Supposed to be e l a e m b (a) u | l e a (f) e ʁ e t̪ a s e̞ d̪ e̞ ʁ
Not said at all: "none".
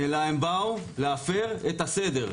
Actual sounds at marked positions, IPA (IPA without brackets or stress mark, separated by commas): a, f